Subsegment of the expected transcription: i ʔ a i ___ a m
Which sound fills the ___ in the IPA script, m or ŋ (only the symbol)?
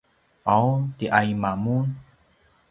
m